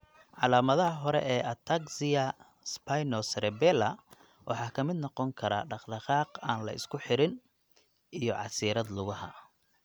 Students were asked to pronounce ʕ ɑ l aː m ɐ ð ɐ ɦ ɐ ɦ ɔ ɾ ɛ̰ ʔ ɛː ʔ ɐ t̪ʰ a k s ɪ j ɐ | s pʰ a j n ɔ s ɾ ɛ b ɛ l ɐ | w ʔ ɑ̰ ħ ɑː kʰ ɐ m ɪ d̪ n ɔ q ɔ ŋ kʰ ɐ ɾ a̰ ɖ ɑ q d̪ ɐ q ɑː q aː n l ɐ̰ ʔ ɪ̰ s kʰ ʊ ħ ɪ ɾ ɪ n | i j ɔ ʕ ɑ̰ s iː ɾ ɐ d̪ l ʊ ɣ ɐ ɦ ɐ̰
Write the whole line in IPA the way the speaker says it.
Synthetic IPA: ʕ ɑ l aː m ɐ ð ɐ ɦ ɐ ɦ ɔ ɾ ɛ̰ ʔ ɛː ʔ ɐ t̪ʰ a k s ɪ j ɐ | s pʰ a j n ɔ s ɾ ɛ b ɛ l ɐ | w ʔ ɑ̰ ħ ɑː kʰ ɐ m ɪ d̪ n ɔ q ɔ ŋ kʰ ɐ ɾ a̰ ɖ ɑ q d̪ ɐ q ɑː q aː n l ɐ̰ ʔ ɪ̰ s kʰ ʊ ħ ɪ ɾ ɪ n | i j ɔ ʕ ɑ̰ s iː ɾ ɐ d̪ l ʊ ɣ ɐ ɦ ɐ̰